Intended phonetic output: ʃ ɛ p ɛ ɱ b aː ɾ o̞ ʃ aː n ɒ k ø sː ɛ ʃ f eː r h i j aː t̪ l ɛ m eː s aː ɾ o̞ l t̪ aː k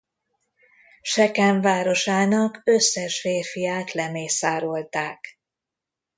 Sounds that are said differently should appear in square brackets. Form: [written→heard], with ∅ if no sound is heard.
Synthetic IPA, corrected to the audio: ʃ ɛ [p→k] ɛ ɱ [b→v] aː ɾ o̞ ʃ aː n ɒ k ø sː ɛ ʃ f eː r [h→f] i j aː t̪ l ɛ m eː s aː ɾ o̞ l t̪ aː k